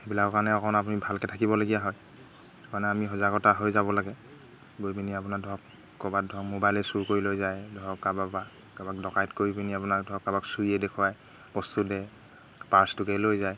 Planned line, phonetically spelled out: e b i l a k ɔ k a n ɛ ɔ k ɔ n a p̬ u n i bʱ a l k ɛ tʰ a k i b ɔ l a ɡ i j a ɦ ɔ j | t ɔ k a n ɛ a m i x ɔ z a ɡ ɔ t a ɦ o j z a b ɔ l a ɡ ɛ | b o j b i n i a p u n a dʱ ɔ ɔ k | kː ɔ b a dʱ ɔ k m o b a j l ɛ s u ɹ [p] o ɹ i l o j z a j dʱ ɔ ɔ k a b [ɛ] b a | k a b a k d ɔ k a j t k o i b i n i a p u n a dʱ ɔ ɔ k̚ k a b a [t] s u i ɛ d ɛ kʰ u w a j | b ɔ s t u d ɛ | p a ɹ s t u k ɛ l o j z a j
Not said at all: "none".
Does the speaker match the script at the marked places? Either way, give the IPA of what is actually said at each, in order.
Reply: k, a, k

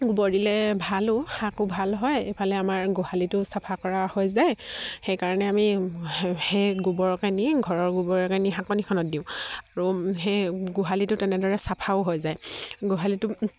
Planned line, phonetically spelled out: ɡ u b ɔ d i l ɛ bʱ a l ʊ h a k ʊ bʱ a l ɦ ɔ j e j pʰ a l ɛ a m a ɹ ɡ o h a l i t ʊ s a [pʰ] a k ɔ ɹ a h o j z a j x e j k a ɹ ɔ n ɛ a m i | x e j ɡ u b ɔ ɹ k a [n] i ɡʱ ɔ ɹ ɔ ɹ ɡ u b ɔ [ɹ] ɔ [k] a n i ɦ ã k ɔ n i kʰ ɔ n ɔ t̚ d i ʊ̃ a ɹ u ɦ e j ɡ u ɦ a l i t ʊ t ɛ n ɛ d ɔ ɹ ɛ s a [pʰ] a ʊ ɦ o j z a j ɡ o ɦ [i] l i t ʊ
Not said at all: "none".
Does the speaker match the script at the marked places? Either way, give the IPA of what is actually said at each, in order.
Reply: pʰ, n, ɹ, k, pʰ, a

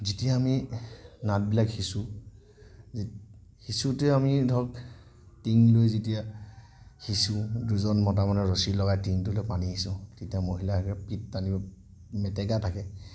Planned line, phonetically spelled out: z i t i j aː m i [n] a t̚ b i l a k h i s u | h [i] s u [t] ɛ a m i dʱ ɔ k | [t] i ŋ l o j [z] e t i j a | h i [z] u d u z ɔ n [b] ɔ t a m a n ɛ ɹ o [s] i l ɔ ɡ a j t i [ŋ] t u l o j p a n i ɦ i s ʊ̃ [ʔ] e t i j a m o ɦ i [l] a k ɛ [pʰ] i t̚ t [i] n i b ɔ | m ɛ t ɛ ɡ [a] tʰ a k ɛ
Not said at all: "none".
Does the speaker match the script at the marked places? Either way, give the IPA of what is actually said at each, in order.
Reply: n, i, t, t, z, s, m, s, ŋ, t, l, p, a, a

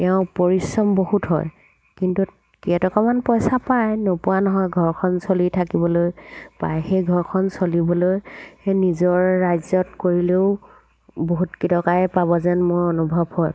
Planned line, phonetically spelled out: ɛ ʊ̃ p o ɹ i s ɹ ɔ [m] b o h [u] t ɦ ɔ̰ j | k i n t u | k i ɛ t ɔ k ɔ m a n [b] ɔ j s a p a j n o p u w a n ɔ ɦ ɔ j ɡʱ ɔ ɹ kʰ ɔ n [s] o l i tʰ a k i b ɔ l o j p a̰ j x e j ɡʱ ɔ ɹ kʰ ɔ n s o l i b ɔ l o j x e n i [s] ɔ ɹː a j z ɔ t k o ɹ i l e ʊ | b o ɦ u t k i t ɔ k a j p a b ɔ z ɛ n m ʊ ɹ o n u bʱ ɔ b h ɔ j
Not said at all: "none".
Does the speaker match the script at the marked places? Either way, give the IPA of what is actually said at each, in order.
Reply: m, u, p, s, z

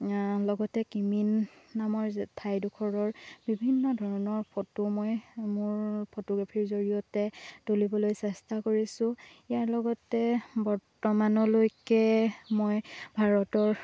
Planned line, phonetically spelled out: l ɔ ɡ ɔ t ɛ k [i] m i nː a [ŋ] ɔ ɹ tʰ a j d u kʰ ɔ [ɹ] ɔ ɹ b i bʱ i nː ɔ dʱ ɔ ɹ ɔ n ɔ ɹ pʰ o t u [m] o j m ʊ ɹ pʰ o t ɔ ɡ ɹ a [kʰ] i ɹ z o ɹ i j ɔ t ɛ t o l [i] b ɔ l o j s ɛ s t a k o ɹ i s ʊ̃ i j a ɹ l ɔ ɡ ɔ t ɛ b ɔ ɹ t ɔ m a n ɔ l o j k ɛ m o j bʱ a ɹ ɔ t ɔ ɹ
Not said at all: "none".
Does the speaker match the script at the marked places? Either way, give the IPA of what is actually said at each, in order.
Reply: i, m, ɹ, m, pʰ, i

